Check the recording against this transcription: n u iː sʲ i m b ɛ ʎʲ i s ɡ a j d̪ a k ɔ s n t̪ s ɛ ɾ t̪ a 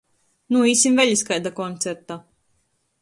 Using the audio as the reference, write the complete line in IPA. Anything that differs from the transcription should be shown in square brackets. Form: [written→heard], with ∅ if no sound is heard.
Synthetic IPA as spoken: n u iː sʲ i m [b→v] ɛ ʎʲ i s [ɡ→k] a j d̪ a k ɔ [s→∅] n t̪ s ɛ ɾ t̪ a

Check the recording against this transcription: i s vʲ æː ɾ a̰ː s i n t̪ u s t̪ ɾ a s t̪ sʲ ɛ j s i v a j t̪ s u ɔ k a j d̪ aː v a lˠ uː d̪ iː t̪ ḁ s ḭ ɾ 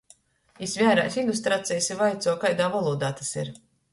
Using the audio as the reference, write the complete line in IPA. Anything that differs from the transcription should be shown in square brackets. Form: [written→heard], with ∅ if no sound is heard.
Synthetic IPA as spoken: i s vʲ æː ɾ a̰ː s i n [t̪→d̪] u s t̪ ɾ a [s→∅] t̪ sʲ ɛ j s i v a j t̪ s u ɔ k a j d̪ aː v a lˠ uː d̪ [iː→aː] t̪ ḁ s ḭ ɾ

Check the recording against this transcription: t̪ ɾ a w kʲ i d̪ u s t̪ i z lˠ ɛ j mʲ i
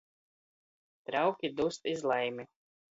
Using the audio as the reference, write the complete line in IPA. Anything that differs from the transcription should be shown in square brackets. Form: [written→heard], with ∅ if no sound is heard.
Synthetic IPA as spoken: t̪ ɾ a w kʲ i d̪ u s t̪ i z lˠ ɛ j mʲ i

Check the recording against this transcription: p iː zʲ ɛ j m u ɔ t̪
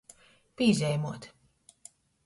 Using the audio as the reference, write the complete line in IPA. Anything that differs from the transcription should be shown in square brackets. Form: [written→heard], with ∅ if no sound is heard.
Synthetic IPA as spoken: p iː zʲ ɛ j m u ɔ t̪

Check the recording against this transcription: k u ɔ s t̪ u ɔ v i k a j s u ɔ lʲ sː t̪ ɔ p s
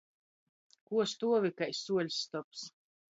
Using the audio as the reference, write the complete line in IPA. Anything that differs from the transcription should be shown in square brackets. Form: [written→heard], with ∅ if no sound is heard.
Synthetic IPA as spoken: k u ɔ s t̪ u ɔ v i k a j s u ɔ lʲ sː t̪ ɔ p s

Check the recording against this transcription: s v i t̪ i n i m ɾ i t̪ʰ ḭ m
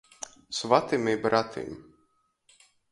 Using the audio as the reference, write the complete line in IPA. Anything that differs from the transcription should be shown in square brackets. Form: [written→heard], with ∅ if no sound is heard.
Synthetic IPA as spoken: s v [i→a] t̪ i [n→m] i [m→b] ɾ [i→a] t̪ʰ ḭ m

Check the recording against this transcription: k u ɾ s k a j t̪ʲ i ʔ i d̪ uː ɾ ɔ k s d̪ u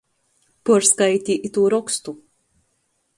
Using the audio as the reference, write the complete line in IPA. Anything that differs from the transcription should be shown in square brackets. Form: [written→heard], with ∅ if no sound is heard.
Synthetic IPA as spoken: [k→p] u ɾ s k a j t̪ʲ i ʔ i [d̪→t̪] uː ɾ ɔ k s [d̪→t̪] u

